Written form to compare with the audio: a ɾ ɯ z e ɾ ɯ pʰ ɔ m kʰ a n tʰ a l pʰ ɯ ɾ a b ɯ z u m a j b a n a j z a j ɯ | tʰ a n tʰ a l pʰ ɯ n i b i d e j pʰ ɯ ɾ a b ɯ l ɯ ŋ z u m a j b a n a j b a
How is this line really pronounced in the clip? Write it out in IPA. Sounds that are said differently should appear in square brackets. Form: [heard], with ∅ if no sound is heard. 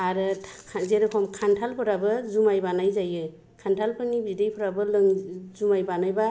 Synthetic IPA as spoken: a ɾ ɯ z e ɾ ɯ pʰ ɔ m kʰ a n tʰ a l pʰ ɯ ɾ a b ɯ z u m a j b a n a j z a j ɯ | [kʰ] a n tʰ a l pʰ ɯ n i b i d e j pʰ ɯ ɾ a b ɯ l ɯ ŋ z u m a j b a n a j b a